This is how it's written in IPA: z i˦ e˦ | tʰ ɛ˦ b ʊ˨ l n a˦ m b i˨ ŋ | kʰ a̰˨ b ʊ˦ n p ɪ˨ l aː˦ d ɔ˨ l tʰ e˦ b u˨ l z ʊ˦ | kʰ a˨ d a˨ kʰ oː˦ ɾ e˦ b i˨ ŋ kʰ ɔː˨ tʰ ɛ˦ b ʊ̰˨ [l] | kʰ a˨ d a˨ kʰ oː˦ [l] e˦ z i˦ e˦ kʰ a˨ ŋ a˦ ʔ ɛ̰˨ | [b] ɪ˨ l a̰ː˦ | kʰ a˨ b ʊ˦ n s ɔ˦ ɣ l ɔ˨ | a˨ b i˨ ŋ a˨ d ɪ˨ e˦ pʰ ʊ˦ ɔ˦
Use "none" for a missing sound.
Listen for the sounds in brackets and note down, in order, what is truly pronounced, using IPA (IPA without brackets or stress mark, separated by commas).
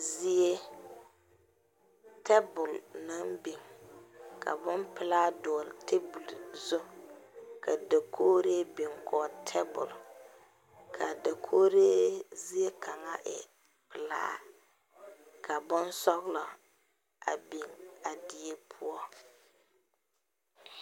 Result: l, ɾ, p